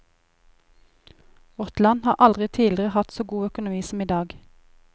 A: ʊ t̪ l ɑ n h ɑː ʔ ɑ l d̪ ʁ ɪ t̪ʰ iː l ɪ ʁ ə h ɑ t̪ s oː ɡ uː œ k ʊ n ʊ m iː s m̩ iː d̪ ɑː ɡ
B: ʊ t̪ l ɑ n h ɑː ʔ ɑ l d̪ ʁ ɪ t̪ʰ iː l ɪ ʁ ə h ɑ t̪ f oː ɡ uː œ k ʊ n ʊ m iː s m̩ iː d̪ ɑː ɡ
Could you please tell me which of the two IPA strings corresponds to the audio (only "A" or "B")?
A